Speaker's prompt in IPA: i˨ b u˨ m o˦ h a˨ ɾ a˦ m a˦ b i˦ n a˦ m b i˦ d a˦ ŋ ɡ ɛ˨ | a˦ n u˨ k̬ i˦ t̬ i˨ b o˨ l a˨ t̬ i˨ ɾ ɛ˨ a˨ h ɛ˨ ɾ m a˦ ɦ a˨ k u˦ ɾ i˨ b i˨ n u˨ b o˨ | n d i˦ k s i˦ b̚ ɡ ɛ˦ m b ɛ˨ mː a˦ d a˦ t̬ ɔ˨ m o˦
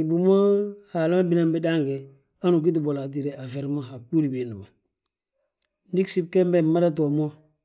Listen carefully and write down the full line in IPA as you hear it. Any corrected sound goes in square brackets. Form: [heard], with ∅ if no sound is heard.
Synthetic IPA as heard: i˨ b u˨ m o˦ h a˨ [l] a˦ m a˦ b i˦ n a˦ m b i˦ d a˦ ŋ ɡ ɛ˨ | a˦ n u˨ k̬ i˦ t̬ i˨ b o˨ l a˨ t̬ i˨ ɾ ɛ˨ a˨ [f] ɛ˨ ɾ m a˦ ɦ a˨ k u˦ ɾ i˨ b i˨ n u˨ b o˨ | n d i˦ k s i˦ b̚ [k] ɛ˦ m b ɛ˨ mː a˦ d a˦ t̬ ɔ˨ m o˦